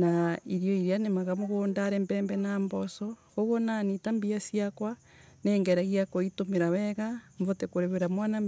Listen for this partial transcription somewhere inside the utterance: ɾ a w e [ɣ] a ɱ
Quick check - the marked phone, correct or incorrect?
correct